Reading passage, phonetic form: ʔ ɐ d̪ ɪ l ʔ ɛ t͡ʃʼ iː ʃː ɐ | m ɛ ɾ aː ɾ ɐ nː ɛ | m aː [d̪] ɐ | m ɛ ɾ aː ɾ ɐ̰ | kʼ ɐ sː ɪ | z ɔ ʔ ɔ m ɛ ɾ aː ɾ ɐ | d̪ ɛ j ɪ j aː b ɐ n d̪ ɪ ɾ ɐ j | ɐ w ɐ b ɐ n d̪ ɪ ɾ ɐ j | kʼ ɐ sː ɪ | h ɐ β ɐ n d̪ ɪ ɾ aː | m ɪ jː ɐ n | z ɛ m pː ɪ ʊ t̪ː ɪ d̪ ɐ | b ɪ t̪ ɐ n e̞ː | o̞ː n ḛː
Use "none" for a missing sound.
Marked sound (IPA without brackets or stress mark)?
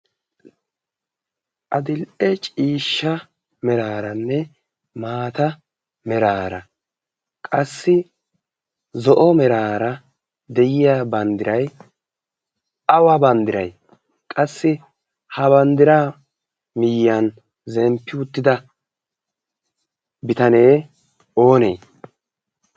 t̪